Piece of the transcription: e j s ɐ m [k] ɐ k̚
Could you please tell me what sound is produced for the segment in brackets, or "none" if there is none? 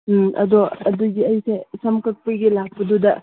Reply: k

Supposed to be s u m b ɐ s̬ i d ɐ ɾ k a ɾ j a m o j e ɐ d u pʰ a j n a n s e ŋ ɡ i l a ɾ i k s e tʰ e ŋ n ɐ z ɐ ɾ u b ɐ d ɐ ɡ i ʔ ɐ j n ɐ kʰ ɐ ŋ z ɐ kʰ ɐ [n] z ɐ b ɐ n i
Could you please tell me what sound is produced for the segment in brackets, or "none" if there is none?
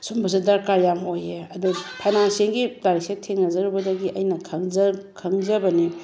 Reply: ŋ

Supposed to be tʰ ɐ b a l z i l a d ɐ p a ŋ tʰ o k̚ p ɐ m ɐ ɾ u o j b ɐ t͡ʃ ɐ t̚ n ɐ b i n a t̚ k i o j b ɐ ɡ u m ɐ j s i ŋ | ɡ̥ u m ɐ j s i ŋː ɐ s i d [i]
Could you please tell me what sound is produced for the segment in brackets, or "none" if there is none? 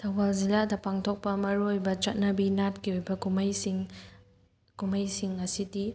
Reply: i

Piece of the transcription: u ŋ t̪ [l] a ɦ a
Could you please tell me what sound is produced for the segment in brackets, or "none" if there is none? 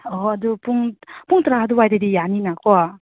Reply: ɾ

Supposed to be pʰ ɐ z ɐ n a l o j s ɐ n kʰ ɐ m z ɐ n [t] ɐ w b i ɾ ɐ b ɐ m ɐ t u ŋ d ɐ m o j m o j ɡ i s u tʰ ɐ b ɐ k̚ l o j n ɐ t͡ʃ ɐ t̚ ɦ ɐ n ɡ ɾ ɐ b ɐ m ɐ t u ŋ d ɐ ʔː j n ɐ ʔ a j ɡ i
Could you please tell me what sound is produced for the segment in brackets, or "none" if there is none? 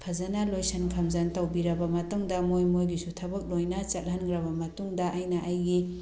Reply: t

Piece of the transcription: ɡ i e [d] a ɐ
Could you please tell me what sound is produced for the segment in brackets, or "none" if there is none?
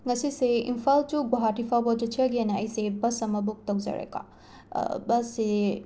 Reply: n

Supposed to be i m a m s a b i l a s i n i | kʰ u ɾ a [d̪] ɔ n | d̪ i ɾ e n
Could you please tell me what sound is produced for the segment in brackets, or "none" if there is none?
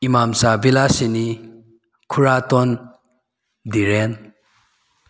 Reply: t̪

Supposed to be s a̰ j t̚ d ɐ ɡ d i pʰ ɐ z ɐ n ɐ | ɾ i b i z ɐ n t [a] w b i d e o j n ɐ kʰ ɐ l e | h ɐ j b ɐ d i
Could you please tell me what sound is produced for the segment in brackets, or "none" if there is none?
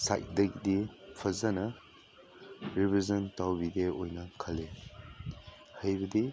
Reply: a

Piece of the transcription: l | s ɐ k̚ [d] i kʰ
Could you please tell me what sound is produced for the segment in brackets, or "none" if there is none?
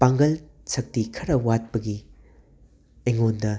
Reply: t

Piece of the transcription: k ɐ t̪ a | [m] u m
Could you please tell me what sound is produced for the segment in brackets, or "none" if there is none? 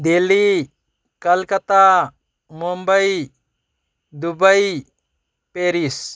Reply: m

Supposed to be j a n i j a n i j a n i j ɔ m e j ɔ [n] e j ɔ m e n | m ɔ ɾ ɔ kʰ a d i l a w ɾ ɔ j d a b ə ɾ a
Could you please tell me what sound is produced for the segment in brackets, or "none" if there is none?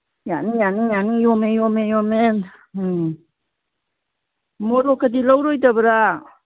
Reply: m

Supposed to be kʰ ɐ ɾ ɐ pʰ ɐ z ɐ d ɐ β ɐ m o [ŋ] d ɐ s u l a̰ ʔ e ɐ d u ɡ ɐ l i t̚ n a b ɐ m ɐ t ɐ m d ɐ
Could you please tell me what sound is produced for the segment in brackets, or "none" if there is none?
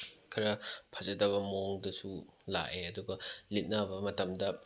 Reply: ŋ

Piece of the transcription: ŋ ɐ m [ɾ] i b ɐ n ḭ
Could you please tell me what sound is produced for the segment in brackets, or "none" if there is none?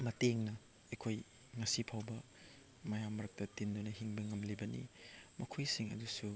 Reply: l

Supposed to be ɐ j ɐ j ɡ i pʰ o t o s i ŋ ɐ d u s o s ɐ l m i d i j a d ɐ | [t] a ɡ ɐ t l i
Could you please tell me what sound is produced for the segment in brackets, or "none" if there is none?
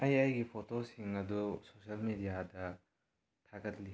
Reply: tʰ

